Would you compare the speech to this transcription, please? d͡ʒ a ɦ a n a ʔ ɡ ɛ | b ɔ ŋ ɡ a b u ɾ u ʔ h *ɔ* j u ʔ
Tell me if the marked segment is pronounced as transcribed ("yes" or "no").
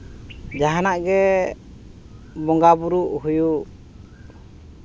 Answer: no